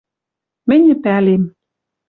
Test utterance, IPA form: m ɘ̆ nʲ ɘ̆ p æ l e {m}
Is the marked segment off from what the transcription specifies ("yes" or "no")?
no